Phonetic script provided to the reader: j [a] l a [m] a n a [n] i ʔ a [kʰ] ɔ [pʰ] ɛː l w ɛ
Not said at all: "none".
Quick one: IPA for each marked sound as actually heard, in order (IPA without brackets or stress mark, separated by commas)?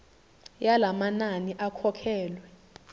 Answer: a, m, n, kʰ, kʰ